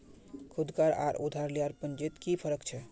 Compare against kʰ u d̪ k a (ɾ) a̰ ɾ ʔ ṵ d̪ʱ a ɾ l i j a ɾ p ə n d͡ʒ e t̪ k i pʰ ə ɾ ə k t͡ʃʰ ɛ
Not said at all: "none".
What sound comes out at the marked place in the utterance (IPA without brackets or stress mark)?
ɾ